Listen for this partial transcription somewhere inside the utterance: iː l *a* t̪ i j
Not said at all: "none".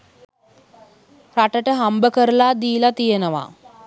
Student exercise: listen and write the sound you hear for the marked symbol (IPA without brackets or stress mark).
a